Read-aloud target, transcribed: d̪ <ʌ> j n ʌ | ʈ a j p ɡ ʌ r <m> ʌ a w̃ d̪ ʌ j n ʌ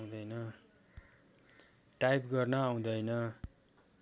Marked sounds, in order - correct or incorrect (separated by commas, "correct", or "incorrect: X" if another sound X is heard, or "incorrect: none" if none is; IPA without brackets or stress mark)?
correct, incorrect: n